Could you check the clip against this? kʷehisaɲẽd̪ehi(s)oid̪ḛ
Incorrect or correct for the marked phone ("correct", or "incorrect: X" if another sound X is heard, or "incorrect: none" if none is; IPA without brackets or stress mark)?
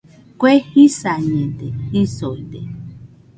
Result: correct